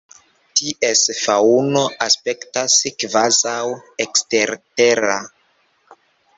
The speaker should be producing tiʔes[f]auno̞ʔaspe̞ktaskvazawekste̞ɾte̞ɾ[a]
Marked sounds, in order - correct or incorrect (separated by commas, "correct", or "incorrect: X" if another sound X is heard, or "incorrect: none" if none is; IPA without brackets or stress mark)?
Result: correct, correct